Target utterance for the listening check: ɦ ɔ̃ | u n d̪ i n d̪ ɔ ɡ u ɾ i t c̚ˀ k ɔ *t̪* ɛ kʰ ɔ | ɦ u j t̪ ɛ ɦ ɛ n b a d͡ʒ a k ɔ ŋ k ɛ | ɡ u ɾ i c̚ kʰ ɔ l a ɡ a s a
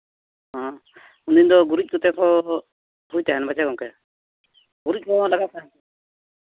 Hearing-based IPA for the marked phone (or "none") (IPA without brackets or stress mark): t̪